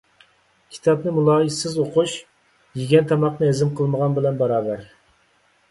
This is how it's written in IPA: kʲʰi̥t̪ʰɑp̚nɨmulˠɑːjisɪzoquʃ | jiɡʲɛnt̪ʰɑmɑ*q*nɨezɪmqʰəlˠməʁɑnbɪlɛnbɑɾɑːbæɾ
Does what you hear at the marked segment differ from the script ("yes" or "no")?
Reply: no